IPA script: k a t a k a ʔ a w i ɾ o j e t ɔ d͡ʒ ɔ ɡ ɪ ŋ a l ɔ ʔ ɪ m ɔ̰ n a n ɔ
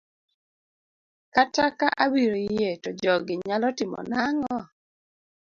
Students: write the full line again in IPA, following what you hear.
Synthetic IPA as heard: k a t a k a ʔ a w i ɾ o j e t ɔ d͡ʒ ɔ ɡ ɪ ɲ a l ɔ t ɪ m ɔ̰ n a ŋ ɔ